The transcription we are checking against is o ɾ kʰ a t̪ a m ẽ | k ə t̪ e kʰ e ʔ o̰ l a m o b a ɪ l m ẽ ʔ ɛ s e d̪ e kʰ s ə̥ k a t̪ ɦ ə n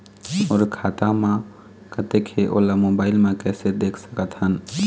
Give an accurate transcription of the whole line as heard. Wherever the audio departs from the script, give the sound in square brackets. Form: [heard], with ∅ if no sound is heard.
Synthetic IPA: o ɾ kʰ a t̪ a m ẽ | k ə t̪ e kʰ e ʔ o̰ l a m o b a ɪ l m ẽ [k] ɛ s e d̪ e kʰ s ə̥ k [ə] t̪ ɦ ə n